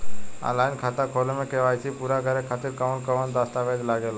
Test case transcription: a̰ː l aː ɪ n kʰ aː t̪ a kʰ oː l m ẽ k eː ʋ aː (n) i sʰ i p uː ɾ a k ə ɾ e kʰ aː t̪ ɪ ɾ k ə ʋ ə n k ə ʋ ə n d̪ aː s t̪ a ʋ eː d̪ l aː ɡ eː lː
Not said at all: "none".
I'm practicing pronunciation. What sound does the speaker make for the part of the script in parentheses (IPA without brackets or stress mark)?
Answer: none